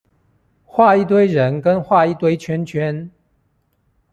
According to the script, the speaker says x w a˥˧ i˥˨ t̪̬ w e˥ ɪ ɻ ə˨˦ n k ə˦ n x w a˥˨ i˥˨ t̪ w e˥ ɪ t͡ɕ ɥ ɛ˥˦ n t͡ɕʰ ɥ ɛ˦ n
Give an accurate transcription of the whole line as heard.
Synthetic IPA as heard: x w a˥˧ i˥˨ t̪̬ w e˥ ɪ ɻ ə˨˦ n k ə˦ n x w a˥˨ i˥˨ t̪ w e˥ ɪ t͡ɕʰ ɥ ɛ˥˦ n t͡ɕʰ ɥ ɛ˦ n